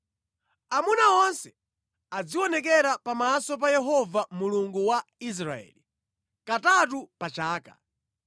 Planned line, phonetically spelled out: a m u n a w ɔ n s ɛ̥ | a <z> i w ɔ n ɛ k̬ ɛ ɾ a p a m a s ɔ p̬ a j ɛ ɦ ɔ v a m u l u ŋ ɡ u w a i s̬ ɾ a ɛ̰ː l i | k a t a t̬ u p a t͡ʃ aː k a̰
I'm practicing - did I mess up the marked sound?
yes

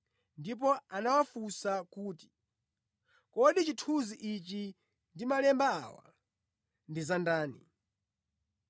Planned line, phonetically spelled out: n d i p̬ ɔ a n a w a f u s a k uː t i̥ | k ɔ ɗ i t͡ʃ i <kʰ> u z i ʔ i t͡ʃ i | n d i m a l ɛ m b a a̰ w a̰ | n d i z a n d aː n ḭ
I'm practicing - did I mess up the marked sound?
yes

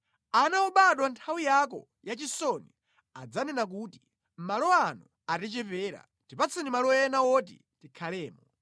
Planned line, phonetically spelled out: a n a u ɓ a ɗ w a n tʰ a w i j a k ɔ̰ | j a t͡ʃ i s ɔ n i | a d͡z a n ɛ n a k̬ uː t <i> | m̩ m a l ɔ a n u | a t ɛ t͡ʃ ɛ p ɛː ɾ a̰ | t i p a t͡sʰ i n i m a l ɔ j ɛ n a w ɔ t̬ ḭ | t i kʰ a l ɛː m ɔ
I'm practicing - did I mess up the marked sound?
no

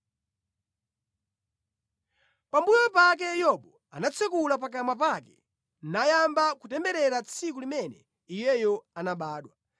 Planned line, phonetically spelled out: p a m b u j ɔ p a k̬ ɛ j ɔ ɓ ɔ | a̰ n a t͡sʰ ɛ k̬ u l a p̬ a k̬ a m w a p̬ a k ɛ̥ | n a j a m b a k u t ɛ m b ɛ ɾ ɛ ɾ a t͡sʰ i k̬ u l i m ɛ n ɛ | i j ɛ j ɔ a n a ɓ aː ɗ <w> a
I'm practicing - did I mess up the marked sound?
no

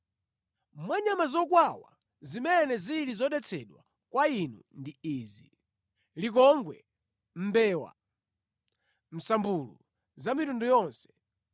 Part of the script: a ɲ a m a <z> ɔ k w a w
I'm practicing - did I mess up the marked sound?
no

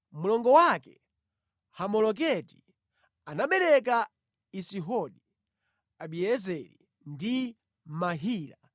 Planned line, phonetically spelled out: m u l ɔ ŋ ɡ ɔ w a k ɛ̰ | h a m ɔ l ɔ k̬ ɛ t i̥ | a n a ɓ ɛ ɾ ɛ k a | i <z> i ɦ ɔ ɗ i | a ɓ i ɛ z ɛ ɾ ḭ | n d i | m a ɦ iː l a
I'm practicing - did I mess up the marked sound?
yes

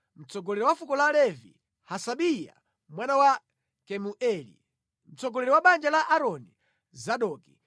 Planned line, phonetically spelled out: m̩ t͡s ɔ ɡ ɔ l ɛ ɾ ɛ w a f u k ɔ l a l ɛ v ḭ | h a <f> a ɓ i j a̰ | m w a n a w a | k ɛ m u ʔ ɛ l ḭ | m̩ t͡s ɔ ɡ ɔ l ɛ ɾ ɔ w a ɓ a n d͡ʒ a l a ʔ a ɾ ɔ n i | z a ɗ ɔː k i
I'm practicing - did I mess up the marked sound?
yes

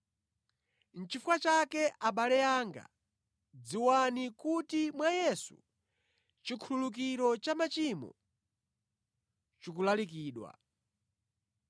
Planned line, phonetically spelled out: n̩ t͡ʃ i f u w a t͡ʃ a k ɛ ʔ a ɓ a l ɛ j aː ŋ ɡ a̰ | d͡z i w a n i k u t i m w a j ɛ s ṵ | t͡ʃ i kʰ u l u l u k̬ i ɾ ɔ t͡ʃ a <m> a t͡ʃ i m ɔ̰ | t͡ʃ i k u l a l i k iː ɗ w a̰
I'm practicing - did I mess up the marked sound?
no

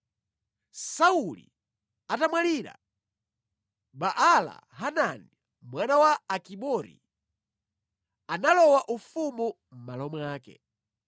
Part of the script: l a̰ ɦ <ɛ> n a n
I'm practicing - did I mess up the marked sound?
yes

